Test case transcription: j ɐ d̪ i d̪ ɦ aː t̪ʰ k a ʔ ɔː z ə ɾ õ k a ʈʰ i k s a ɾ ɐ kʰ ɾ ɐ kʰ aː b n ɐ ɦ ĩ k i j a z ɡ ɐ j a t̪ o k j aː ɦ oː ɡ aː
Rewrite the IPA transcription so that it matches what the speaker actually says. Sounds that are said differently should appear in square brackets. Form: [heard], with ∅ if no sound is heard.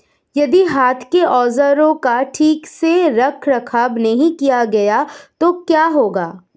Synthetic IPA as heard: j ɐ d̪ i [∅] ɦ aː t̪ʰ k [e] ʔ ɔː z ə ɾ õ k a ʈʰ [iː] k s [e] ɾ ɐ kʰ ɾ ɐ kʰ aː b n ɐ ɦ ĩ k i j a [∅] ɡ ɐ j a t̪ o k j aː ɦ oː ɡ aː